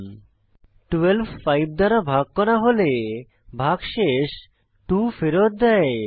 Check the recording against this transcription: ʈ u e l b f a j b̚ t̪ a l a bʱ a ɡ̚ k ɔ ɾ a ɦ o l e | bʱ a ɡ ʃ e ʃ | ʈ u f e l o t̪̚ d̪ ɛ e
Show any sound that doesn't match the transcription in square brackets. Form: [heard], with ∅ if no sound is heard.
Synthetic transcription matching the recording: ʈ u e l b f a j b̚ [d̪] a [ɾ] a bʱ a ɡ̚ k ɔ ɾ a ɦ o l e | bʱ a ɡ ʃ e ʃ | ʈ u f e [ɾ] o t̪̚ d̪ ɛ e